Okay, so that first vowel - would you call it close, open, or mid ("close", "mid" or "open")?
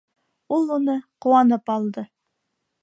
close